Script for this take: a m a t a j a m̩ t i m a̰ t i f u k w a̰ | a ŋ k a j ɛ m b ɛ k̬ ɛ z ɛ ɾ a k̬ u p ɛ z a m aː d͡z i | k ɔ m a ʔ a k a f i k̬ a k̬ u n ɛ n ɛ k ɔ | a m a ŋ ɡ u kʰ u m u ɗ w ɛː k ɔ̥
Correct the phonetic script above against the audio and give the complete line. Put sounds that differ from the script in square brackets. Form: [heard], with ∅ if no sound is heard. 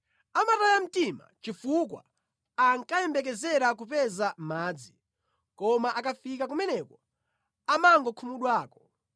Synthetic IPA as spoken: a m a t a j a m̩ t i m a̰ [t͡ʃ] i f u k w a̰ | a ŋ k a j ɛ m b ɛ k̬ ɛ z ɛ ɾ a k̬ u p ɛ z a m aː d͡z i | k ɔ m a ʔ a k a f i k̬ a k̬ u [m] ɛ n ɛ k ɔ | a m a ŋ ɡ [ɔ] kʰ u m u ɗ w [aː] k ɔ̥